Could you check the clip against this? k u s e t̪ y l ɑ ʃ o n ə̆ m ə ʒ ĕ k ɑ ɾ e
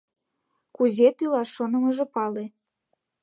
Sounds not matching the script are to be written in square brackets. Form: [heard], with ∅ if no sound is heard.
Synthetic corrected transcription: k u [z] e t̪ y l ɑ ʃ o n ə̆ m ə ʒ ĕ [p] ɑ [l] e

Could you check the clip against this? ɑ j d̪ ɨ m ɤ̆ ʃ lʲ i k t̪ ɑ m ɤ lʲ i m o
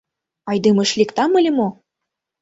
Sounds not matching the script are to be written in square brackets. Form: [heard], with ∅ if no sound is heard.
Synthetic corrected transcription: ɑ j d̪ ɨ m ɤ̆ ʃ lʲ i k t̪ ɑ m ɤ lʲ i m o

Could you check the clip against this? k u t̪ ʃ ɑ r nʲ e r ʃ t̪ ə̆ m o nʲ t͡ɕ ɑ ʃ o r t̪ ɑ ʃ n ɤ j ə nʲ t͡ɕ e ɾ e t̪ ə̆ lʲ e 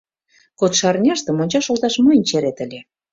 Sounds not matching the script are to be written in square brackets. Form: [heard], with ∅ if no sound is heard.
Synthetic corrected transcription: k [o] t̪ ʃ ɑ r nʲ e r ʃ t̪ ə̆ m o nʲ t͡ɕ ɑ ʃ o [l] t̪ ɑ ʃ [m] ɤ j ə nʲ t͡ɕ e ɾ e t̪ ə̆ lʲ e

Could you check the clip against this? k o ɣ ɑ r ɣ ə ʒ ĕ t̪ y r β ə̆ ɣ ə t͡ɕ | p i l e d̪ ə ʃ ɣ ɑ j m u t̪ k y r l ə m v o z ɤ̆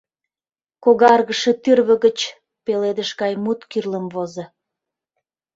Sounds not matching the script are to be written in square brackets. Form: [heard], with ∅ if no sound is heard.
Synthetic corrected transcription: k o ɣ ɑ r ɣ ə [ʃ] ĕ t̪ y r β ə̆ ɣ ə t͡ɕ | p [e] l e d̪ ə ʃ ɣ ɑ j m u t̪ k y r l ə m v o z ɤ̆

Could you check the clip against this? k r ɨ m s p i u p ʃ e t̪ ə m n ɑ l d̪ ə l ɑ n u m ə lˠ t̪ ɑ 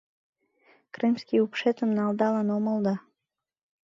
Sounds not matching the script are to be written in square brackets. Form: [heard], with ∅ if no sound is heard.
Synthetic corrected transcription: k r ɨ m s [k] i u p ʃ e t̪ ə m n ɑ l d̪ [ɑ] l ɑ n [o] m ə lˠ [d̪] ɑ

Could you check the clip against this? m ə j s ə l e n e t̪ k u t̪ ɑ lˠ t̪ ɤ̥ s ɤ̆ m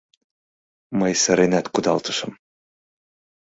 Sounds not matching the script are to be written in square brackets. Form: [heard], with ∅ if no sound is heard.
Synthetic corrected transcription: m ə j s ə [ɾ] e n [æ] t̪ k u [d̪] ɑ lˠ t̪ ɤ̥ [ʃ] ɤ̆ m

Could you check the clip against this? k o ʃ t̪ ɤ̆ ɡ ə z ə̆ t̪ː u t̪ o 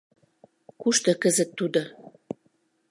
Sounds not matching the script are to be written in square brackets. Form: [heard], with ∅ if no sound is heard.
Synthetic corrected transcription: k [u] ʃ t̪ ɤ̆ [k] ə z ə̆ t̪ː u [d̪] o

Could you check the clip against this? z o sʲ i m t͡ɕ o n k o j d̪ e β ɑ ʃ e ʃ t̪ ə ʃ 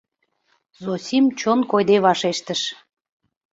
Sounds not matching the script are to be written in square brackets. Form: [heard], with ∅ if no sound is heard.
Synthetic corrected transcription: z o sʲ i m t͡ɕ o n k o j d̪ e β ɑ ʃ e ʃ t̪ ə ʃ

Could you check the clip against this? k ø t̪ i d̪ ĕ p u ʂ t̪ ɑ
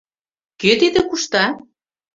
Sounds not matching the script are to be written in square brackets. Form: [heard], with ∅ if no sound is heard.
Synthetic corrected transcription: k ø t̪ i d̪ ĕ [k] u [ʃ] t̪ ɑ

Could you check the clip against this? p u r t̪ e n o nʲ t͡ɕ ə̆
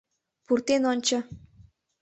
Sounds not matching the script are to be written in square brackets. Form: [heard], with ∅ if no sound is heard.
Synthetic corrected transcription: p u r t̪ e n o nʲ t͡ɕ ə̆

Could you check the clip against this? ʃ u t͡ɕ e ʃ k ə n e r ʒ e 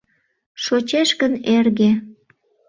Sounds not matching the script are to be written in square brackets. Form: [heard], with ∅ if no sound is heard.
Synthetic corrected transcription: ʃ [o] t͡ɕ e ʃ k ə n e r [ɣ] e

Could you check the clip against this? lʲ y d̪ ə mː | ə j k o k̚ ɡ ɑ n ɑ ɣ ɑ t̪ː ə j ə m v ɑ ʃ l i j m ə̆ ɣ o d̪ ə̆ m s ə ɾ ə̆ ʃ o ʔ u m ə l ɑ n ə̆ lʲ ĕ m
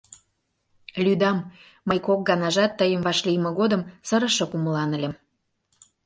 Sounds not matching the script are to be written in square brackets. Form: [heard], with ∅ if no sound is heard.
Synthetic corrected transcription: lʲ y d̪ [ɑ] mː | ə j k o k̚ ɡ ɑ n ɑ [ʒ] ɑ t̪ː ə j ə m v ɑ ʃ l i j m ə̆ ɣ o d̪ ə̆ m s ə ɾ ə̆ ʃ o [k] u m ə l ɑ n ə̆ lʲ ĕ m

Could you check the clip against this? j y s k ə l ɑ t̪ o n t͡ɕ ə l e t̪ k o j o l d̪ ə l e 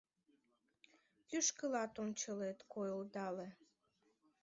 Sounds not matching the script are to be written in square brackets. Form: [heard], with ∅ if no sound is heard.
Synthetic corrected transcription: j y [ʃ] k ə l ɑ t̪ o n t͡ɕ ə l e t̪ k o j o l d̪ [ɑ] l e

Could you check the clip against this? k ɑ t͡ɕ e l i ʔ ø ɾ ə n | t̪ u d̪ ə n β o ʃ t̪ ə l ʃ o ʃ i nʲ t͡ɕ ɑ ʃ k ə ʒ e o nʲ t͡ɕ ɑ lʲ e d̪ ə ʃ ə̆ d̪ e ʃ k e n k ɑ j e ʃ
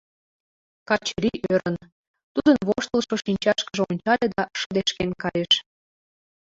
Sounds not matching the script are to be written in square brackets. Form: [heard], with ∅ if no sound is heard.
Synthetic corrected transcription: k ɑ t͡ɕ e [ɾ] i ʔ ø ɾ ə n | t̪ u d̪ ə n β o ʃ t̪ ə l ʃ o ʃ i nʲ t͡ɕ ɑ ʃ k ə ʒ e o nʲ t͡ɕ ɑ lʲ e d̪ [ɑ] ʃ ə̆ d̪ e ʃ k e n k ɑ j e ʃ

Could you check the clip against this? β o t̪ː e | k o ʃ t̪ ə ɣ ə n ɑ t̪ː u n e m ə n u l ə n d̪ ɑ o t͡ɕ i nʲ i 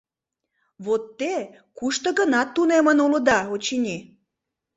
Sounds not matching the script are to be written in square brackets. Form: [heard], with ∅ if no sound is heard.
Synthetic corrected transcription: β o t̪ː e | k [u] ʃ t̪ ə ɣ ə n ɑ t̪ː u n e m ə n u l ə [∅] d̪ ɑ o t͡ɕ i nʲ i

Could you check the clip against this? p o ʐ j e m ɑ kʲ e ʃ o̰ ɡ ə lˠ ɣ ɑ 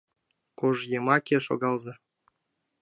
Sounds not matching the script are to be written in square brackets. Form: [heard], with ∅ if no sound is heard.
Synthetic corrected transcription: [k] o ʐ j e m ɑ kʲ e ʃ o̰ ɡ [ɑ] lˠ [z] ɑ

